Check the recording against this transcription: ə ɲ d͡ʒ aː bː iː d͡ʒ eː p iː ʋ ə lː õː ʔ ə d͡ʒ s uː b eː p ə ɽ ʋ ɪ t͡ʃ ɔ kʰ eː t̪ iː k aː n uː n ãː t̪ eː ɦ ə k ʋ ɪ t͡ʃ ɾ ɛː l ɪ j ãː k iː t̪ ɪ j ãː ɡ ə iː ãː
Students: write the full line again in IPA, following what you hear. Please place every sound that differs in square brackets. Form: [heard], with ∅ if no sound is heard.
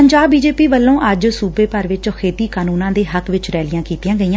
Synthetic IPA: ə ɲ d͡ʒ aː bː iː d͡ʒ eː p iː ʋ ə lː õː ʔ ə d͡ʒ s uː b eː p ə [ɾ] ʋ ɪ t͡ʃ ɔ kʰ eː t̪ iː k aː n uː n ãː [d̪] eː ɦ ə k ʋ ɪ t͡ʃ ɾ ɛː l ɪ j ãː k iː t̪ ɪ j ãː ɡ ə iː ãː